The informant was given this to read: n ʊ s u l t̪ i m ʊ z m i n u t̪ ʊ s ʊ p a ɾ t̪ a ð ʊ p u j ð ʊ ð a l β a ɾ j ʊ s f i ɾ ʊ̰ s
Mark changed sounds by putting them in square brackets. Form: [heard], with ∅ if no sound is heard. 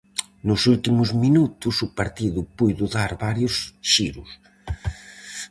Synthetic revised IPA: n ʊ s u l t̪ i m ʊ z m i n u t̪ ʊ s ʊ p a ɾ t̪ [i] ð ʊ p u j ð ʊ ð a [ɾ] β a ɾ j ʊ s [ʃ] i ɾ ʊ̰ s